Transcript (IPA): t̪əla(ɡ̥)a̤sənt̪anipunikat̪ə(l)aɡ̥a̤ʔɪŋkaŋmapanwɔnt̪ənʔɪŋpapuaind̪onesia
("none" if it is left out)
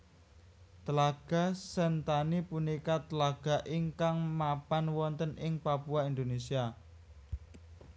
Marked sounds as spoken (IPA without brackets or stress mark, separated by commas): ɡ̥, l